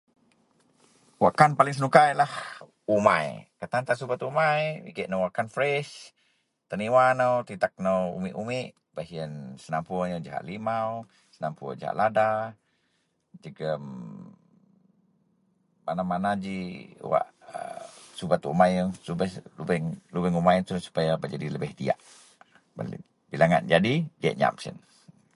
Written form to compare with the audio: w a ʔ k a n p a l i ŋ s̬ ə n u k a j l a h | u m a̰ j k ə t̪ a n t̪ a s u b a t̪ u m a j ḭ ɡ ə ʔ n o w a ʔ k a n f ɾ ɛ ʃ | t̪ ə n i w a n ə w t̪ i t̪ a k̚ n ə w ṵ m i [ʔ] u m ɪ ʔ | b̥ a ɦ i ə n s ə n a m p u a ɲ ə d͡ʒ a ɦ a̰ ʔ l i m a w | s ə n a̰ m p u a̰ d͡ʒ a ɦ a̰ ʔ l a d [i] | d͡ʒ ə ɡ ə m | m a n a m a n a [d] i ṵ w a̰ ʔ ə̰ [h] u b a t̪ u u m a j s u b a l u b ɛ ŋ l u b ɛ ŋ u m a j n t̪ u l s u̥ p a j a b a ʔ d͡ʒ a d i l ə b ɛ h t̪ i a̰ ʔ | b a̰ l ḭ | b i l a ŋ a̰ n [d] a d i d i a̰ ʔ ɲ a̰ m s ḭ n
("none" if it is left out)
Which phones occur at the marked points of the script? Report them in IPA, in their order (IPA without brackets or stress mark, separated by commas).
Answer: ʔ, a, d͡ʒ, s, d͡ʒ